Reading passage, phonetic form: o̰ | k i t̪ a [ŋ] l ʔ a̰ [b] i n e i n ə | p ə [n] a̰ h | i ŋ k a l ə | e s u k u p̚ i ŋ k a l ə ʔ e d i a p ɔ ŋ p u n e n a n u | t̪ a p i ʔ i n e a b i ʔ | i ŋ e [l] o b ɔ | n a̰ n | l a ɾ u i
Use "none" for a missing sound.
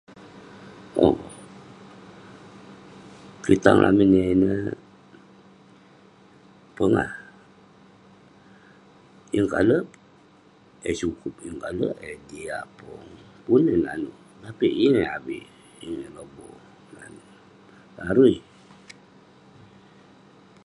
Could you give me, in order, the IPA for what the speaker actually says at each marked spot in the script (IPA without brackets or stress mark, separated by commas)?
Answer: ŋ, m, ŋ, l